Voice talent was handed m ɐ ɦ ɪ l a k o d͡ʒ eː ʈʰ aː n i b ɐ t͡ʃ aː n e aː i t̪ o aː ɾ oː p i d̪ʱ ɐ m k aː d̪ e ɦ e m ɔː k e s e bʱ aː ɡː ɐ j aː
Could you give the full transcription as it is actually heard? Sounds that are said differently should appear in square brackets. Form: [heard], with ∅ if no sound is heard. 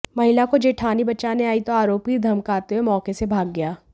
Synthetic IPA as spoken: m ɐ ɦ ɪ l a k o d͡ʒ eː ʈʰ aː n i b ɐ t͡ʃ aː n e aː i t̪ o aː ɾ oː p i d̪ʱ ɐ m k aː [t̪] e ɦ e m ɔː k e s e bʱ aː ɡː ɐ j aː